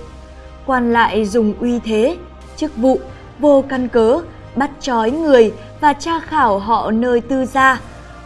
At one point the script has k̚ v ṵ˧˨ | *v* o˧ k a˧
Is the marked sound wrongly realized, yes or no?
no